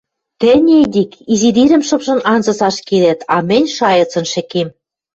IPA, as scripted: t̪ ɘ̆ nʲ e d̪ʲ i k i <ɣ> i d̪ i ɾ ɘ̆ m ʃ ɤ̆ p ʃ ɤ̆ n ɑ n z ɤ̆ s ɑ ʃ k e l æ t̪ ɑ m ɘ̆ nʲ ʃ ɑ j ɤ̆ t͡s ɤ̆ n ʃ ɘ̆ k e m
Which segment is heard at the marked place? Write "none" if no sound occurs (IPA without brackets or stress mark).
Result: z